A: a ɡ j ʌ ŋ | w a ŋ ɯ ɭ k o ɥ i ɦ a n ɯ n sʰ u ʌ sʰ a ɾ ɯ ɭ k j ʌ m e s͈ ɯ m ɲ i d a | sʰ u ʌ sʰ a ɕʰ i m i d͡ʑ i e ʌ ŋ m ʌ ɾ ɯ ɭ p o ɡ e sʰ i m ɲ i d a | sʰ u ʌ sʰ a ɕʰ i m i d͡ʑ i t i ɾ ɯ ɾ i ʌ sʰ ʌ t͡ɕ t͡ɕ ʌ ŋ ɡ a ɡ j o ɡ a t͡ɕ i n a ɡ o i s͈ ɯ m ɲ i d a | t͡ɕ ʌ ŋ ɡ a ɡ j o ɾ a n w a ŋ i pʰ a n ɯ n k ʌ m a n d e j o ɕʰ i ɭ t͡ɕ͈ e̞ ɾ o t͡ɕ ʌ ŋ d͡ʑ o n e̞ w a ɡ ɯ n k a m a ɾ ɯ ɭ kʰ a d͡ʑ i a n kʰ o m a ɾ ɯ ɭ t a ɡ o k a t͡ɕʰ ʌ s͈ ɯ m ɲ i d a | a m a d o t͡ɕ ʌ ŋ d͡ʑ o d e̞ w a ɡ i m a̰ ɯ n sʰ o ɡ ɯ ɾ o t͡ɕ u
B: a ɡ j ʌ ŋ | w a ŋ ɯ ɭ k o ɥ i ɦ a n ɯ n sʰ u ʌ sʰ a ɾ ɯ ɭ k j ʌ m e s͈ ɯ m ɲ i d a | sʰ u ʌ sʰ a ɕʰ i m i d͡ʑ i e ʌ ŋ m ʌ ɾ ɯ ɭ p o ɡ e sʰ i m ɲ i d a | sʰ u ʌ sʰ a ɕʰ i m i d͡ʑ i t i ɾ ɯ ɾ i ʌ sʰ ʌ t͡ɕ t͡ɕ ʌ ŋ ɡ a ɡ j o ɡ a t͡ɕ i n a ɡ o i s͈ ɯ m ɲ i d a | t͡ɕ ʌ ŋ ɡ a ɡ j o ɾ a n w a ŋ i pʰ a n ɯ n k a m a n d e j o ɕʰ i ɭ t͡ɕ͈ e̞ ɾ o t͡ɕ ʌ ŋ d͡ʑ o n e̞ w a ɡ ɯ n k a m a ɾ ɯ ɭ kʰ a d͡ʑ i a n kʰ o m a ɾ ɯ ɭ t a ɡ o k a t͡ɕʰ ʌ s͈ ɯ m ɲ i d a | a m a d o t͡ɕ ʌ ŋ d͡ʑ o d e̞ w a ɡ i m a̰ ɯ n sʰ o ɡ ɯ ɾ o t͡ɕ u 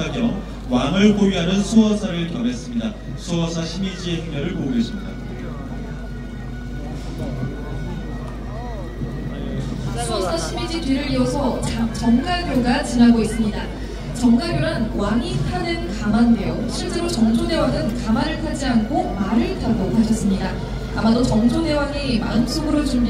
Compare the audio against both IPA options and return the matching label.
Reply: B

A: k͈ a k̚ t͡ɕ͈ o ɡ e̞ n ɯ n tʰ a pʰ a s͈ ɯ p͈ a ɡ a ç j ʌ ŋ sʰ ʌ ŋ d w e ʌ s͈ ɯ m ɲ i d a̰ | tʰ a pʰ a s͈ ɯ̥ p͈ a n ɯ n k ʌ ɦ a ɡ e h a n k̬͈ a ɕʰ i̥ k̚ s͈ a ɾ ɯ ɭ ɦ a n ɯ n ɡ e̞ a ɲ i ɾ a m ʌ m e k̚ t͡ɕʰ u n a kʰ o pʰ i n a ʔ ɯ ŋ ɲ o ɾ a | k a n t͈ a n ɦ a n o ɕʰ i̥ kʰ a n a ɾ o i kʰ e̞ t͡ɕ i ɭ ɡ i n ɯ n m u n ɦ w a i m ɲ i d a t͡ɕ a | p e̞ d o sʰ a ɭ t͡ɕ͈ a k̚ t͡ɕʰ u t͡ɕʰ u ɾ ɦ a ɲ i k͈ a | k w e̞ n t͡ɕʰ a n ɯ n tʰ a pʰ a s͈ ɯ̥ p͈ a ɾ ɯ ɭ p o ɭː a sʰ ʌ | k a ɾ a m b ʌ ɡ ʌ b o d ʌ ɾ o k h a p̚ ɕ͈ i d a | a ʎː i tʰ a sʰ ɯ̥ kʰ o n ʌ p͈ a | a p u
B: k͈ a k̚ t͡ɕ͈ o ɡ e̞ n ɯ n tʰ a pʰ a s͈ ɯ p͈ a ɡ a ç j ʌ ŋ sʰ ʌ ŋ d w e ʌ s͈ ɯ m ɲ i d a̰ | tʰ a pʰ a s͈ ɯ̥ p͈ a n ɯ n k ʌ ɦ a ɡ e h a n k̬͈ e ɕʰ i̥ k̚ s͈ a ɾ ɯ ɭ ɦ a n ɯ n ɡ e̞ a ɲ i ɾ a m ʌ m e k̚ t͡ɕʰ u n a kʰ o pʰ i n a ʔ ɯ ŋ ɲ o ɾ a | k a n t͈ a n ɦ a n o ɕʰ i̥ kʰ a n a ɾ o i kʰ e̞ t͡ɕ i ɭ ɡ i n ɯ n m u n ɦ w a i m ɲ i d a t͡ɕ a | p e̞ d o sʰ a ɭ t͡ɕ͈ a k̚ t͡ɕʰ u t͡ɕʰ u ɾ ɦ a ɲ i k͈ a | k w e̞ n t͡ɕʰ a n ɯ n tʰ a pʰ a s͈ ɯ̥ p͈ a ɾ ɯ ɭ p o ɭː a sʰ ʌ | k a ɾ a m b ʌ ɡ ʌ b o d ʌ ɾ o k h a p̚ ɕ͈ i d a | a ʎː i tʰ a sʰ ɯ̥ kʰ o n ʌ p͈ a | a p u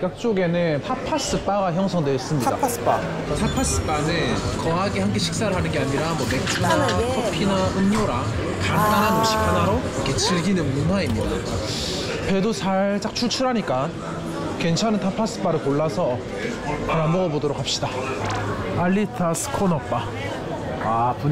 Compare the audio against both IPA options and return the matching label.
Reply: B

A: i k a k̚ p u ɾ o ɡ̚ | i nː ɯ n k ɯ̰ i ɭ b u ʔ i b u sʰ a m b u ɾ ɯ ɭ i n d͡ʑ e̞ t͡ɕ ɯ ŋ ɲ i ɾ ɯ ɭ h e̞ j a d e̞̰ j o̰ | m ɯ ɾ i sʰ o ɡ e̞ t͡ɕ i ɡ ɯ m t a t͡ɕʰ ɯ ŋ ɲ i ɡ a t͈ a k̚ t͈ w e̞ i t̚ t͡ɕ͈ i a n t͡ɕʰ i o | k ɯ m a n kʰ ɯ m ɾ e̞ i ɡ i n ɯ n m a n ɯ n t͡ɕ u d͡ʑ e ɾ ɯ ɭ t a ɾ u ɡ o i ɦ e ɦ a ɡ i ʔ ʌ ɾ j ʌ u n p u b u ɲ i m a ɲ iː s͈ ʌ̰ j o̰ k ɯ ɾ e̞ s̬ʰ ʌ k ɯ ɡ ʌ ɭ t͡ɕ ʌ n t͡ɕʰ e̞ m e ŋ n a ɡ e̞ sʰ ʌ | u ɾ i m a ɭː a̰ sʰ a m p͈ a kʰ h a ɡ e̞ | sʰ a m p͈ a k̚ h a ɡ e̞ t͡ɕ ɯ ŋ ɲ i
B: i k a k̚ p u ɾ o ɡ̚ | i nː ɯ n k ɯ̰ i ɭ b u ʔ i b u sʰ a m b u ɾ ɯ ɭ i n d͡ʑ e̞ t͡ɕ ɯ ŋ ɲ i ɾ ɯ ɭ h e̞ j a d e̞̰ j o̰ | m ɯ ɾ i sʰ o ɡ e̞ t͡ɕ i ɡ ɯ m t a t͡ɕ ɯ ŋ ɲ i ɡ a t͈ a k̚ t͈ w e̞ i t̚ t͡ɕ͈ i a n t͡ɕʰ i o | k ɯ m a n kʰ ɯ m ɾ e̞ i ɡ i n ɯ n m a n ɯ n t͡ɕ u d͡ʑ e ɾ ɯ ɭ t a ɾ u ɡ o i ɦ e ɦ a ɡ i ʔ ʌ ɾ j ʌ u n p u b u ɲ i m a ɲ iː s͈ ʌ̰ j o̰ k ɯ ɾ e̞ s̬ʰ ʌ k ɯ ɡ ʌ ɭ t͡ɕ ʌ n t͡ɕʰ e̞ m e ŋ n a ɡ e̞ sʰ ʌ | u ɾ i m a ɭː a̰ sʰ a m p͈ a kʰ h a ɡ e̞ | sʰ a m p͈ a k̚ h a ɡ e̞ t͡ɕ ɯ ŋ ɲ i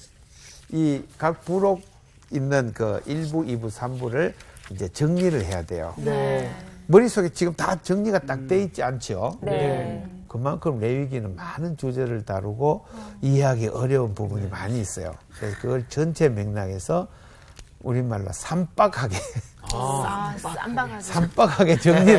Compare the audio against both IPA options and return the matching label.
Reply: B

